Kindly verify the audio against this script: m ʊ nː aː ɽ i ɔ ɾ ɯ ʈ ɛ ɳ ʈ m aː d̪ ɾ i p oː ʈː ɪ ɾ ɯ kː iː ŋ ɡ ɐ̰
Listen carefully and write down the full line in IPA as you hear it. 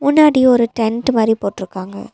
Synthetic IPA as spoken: m ʊ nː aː ɽ i ɔ ɾ ɯ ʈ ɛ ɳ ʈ m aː d̪ ɾ i p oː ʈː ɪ ɾ ɯ kː aː ŋ ɡ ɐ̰

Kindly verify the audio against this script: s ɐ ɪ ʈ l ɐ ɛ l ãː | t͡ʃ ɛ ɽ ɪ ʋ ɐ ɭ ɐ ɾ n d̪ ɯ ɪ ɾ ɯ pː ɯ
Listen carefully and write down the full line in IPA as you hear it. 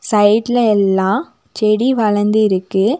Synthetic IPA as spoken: s ɐ ɪ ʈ l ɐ ɛ lː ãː | t͡ʃ ɛ ɽ i ʋ ɐ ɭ ɐ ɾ n d̪ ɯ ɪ ɾ ɯ kː ɯ

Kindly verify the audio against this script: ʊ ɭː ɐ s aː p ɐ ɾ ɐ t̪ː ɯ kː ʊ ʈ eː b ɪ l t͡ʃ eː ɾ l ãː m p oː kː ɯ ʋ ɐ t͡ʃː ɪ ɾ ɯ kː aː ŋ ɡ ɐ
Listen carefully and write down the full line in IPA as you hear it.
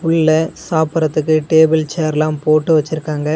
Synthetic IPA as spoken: ʊ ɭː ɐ s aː p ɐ ɾ ɐ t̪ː ɯ kː ɯ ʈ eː b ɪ l t͡ʃ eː ɾ l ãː m p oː ʈː ɯ ʋ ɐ t͡ʃː ɪ ɾ ɯ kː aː ŋ ɡ ɐ

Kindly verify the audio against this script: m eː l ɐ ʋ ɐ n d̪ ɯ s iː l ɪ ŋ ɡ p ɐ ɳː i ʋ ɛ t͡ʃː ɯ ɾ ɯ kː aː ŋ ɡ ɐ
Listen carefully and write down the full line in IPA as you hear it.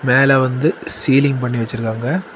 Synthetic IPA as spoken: m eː l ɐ ʋ ɐ n d̪ ɯ s iː l ɪ ŋ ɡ p ɐ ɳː i ʋ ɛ t͡ʃː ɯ ɾ ɯ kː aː ŋ ɡ ɐ

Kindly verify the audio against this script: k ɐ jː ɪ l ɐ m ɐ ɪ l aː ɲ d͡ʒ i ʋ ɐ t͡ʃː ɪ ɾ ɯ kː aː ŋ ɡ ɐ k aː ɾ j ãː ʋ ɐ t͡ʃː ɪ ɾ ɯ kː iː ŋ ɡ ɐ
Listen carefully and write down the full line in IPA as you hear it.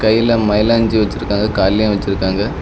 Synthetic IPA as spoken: k ɐ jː ɪ l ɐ m ɐ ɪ l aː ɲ d͡ʒ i ʋ ɐ t͡ʃː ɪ ɾ ɯ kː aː ŋ ɡ ɐ k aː l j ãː ʋ ɐ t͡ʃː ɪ ɾ ɯ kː aː ŋ ɡ ɐ

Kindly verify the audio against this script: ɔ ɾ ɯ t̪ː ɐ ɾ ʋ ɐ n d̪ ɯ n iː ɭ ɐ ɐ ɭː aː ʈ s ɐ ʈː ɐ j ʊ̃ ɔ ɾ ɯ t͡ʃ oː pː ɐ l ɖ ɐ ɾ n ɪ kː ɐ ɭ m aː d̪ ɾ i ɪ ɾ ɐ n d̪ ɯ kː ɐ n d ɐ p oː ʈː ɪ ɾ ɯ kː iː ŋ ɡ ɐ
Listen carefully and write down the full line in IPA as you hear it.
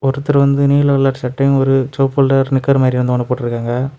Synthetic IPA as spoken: ɔ ɾ ɯ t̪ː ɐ ɾ ʋ ɐ n d̪ ɯ n iː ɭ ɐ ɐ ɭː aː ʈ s ɐ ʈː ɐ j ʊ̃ ɔ ɾ ɯ t͡ʃ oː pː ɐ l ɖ ɐ ɾ n ɪ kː ɐ ɾ m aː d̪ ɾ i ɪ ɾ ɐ n d̪ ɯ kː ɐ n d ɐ p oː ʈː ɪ ɾ ɯ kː aː ŋ ɡ ɐ

